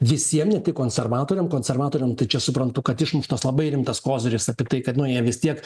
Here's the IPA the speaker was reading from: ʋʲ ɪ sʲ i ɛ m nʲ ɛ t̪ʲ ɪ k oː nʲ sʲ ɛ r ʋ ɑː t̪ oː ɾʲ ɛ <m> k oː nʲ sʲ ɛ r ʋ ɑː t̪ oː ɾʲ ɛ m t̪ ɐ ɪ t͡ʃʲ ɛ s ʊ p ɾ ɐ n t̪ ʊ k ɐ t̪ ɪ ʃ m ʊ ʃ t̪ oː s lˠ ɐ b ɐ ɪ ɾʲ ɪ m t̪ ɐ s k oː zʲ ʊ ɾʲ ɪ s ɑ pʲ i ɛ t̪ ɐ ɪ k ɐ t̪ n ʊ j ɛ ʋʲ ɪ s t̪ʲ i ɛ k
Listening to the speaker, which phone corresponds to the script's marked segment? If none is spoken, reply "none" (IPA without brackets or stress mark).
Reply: m